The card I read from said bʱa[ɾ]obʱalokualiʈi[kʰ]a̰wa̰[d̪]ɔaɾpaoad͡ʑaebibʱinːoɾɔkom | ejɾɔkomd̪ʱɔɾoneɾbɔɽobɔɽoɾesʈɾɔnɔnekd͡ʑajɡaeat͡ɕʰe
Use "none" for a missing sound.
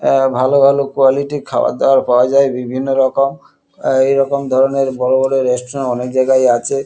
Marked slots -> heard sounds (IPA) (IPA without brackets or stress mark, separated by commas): l, kʰ, d̪